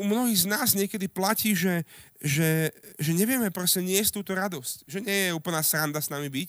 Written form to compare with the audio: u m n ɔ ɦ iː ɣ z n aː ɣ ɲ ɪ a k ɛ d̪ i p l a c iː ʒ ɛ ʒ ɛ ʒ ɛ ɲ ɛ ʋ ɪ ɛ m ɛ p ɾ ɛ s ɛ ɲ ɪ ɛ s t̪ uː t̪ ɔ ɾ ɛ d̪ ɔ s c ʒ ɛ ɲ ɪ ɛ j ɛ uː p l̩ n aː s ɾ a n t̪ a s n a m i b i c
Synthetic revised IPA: u m n ɔ ɦ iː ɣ z n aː z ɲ ɪ ɛ k ɛ d̪ i p l a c iː ʒ ɛ ʒ ɛ ʒ ɛ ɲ ɛ ʋ ɪ ɛ m ɛ p ɾ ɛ s ɛ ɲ ɪ ɛ s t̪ uː t̪ ɔ ɾ a d̪ ɔ s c ʒ ɛ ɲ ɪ ɛ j ɛ uː p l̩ n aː s ɾ a n d̪ a s n a m i b i c